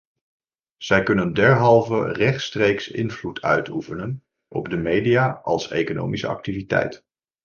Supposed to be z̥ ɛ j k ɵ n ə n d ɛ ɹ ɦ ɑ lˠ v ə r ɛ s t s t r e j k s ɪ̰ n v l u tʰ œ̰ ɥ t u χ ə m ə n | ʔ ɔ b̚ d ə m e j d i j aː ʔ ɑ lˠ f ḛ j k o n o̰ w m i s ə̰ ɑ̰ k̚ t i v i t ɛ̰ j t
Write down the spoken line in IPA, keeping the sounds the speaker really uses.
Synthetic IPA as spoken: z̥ ɛ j k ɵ n ə n d ɛ ɹ ɦ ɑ lˠ v ə r ɛ χ t s t r e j k s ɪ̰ n v l u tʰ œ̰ ɥ t u f ə n ə n | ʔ ɔ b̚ d ə m e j d i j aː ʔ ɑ lˠ s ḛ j k o n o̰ w m i s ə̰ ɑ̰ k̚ t i v i t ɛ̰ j t